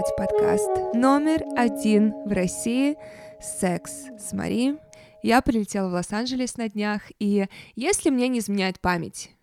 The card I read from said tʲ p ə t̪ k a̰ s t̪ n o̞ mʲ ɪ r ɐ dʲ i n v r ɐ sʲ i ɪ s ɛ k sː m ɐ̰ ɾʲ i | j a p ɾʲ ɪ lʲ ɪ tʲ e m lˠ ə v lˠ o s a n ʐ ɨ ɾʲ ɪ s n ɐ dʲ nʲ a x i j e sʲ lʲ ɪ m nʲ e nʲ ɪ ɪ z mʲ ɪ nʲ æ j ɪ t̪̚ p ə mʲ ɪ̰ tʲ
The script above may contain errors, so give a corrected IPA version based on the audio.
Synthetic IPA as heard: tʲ p ɐ t̪ k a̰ s t̪ n o̞ mʲ ɪ r ɐ dʲ i n v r ɐ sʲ i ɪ s ɛ k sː m ɐ̰ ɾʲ i | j a p ɾʲ ɪ lʲ ɪ tʲ e lˠ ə v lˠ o s a n ʐ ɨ lʲ ɪ s n ɐ dʲ nʲ a x i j e sʲ lʲ ɪ m nʲ e nʲ ɪ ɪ z mʲ ɪ nʲ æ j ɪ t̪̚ p a mʲ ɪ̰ tʲ